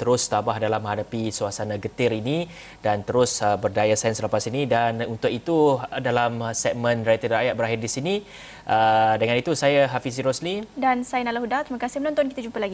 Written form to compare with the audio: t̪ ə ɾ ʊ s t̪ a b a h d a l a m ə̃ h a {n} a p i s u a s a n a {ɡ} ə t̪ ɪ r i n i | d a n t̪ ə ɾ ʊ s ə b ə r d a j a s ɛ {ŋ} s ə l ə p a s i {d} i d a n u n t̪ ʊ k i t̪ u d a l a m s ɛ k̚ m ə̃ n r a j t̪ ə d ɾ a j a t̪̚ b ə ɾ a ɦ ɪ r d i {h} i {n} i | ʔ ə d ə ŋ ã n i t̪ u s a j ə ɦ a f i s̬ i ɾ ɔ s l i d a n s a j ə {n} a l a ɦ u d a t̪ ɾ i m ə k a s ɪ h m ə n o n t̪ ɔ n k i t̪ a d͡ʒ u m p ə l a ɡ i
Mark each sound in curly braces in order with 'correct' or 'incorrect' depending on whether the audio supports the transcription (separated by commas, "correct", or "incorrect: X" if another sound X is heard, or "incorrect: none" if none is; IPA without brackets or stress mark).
incorrect: d, correct, incorrect: n, incorrect: n, incorrect: s, correct, correct